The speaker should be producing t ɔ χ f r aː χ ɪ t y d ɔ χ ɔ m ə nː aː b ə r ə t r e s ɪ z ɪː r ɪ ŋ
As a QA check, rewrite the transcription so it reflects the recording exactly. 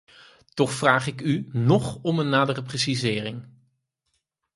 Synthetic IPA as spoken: t ɔ χ f r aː χ ɪ k y n ɔ χ ɔ m ə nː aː d ə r ə p r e s i z ɪː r ɪ ŋ